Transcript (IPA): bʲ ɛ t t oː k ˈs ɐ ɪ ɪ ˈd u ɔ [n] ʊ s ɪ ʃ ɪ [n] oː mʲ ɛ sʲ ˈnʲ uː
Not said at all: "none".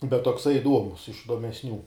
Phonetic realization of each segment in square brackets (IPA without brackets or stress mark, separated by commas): m, d